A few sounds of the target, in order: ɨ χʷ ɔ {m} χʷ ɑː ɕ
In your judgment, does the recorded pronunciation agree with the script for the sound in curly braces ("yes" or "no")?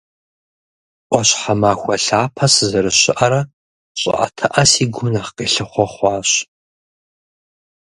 no